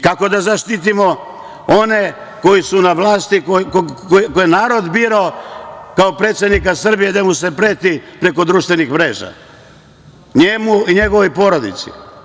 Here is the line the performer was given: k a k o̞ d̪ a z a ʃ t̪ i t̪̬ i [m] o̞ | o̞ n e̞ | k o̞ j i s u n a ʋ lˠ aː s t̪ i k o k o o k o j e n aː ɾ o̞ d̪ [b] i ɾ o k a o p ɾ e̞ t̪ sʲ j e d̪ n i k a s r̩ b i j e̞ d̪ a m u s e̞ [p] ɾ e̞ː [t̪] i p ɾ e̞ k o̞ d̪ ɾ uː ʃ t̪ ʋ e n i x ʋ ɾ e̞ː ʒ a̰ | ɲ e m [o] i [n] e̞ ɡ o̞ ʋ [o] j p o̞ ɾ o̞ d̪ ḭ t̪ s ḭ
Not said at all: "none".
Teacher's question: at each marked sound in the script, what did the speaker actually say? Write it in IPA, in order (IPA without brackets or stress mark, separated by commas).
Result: m, b, p, t̪, u, ɲ, o